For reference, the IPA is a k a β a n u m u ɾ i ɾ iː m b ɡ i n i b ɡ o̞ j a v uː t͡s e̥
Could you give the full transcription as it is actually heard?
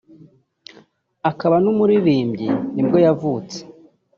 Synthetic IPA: a k a β a n u m u ɾ i ɾ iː m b ɟ i n i b ɡ o̞ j a v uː t͡s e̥